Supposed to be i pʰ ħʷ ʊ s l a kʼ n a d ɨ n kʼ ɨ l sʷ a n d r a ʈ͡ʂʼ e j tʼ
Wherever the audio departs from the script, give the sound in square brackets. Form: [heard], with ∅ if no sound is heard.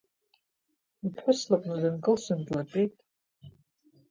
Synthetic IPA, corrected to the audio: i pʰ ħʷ ʊ s l a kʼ n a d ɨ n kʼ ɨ l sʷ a n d [l] a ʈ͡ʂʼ e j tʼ